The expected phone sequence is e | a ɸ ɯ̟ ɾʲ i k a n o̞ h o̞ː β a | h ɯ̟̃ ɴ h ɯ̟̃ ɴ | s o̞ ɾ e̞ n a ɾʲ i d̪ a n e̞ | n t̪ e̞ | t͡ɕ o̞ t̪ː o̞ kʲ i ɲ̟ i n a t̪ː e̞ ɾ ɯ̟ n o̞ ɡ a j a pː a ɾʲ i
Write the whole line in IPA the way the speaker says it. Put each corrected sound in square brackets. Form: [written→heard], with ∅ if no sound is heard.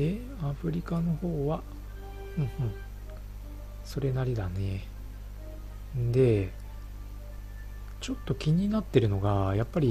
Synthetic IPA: e | a ɸ ɯ̟ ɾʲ i k a n o̞ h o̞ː β a | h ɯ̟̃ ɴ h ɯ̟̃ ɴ | s o̞ ɾ e̞ n a ɾʲ i d̪ a n e̞ | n [t̪→d̪] e̞ | t͡ɕ o̞ t̪ː o̞ kʲ i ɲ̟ i n a t̪ː e̞ ɾ ɯ̟ n o̞ ɡ a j a pː a ɾʲ i